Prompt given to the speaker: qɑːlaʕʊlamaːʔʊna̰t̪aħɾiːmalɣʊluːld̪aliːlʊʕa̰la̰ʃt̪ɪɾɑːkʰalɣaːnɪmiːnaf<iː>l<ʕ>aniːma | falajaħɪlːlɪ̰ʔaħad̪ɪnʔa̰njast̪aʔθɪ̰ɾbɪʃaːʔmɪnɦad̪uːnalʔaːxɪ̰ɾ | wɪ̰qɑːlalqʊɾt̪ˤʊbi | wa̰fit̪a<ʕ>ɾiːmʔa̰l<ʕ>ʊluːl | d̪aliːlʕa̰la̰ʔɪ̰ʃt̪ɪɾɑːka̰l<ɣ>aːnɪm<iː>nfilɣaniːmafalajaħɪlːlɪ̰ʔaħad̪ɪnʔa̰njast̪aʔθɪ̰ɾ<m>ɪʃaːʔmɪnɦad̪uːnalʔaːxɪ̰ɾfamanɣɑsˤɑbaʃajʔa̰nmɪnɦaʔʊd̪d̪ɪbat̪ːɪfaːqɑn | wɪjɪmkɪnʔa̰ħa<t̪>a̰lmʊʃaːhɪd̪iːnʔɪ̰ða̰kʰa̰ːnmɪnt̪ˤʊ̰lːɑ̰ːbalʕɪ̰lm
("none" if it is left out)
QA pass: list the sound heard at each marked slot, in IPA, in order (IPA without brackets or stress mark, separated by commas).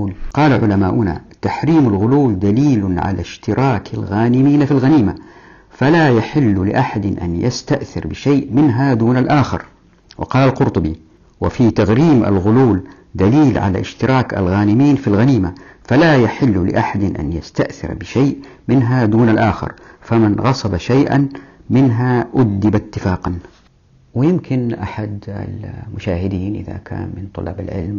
i, ɣ, ɣ, ɣ, ɣ, iː, b, d̪